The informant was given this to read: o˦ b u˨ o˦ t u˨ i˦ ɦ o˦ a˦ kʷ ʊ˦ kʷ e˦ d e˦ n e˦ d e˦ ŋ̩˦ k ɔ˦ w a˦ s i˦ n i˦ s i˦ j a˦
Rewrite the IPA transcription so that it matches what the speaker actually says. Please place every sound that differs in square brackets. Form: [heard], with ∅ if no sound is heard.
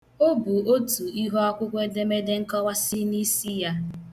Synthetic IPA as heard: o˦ b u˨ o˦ t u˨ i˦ ɦ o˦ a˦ kʷ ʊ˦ kʷ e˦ d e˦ [m] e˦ d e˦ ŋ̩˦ k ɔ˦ w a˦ s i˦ n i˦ s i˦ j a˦